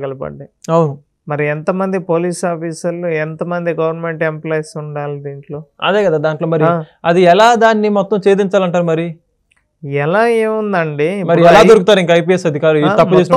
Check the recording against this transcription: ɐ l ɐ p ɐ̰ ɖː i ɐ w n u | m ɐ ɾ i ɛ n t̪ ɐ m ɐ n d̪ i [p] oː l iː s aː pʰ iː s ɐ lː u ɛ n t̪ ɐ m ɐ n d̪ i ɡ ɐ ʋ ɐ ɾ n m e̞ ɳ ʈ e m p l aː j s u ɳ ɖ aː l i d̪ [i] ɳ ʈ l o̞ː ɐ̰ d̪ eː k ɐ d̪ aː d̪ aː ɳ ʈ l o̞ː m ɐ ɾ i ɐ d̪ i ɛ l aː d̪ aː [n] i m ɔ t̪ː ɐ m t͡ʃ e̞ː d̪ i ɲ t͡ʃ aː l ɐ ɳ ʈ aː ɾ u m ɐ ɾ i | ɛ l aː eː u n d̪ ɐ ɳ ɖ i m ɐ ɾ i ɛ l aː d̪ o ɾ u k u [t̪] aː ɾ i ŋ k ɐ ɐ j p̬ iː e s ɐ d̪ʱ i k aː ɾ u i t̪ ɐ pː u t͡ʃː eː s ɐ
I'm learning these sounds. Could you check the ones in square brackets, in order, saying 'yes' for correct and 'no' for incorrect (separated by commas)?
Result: yes, no, no, yes